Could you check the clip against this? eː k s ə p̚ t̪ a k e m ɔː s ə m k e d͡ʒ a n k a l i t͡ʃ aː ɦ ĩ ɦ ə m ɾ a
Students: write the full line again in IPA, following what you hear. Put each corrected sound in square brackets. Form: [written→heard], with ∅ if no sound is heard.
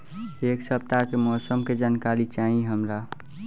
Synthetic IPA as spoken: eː k s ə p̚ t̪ a k e m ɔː s ə m k e d͡ʒ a n k a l i t͡ʃ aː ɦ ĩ ɦ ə m ɾ a